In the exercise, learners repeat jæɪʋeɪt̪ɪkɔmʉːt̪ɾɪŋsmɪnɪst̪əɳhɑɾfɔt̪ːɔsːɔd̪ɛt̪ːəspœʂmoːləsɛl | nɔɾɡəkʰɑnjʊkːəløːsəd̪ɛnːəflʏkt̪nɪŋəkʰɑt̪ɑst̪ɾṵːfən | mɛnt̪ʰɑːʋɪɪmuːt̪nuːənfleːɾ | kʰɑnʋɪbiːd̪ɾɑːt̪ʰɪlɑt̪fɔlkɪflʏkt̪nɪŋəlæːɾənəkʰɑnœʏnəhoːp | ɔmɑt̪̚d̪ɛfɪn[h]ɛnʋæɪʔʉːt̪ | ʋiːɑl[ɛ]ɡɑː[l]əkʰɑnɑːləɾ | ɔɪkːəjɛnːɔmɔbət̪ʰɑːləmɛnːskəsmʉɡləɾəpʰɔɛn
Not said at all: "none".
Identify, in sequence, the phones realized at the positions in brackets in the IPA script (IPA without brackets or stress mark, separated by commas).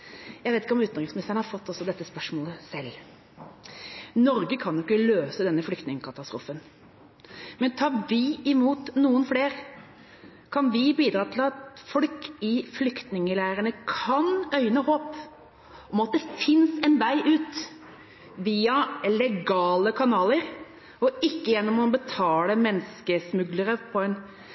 s, ɛ, l